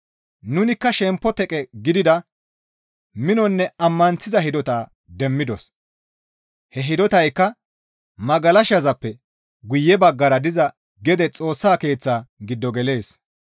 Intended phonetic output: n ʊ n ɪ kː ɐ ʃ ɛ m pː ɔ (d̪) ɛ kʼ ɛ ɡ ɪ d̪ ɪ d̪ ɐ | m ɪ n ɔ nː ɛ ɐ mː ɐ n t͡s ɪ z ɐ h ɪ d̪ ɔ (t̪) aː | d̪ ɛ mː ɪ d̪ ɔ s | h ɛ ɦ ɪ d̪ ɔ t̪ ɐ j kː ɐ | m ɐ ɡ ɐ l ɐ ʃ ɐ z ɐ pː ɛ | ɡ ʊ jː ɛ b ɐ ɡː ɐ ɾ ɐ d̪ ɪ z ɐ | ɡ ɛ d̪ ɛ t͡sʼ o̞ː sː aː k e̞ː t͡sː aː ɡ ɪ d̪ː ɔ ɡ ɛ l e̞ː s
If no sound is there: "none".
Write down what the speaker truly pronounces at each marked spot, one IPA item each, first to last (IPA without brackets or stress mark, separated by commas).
t̪, t̪